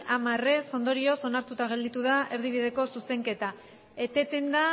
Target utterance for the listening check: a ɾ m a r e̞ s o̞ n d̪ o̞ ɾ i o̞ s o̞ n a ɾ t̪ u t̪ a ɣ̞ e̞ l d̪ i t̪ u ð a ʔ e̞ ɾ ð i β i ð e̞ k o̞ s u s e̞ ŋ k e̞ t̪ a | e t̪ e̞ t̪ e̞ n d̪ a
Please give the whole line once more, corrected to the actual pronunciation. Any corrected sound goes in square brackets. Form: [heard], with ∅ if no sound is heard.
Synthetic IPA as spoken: a [∅] m a r e̞ s o̞ n d̪ o̞ ɾ i o̞ s o̞ n a ɾ t̪ u t̪ a ɣ̞ e̞ l d̪ i t̪ u ð a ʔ e̞ ɾ ð i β i ð e̞ k o̞ s u s e̞ ŋ k e̞ t̪ a | e t̪ e̞ t̪ e̞ n d̪ a